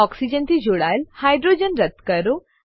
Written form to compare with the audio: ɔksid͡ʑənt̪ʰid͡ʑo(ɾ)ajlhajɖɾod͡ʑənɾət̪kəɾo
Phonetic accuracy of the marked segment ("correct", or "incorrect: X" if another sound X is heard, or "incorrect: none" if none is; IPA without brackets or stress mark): incorrect: ɽ